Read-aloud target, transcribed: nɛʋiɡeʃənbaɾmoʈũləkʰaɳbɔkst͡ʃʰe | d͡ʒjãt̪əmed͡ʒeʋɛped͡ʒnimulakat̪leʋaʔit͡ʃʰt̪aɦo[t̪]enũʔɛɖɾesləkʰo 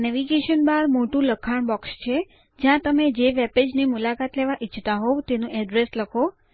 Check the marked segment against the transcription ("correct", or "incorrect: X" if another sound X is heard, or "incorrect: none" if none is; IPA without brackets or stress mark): correct